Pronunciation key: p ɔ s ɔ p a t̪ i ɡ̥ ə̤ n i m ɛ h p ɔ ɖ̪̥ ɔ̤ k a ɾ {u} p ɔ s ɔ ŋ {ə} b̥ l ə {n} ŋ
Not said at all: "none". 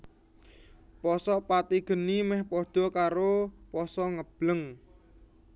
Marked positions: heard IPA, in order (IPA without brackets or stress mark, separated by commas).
o, ə, none